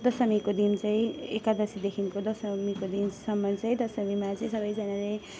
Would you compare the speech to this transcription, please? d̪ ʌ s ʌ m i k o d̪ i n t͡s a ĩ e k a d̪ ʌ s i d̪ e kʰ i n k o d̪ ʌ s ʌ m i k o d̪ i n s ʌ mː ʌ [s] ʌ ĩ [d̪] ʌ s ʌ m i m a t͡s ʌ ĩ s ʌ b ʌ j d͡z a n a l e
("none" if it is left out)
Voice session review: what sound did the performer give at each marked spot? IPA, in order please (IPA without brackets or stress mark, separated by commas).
t͡s, d̪